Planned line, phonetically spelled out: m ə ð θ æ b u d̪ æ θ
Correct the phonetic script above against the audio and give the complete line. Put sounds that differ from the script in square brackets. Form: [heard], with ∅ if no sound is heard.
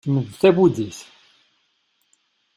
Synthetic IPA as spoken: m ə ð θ æ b u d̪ [i] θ